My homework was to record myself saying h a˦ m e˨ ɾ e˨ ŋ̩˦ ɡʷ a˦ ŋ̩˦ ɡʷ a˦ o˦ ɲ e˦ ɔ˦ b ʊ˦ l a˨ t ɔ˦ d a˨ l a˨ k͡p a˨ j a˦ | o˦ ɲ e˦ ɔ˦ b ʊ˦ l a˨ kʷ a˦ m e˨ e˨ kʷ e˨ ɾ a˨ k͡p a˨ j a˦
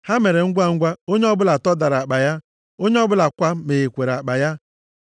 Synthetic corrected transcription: h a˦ m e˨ ɾ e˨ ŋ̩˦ ɡʷ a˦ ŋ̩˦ ɡʷ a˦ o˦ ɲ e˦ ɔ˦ b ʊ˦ l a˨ t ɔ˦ d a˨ ɾ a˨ k͡p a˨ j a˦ | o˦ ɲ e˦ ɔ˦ b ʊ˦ l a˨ kʷ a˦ m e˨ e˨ kʷ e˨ ɾ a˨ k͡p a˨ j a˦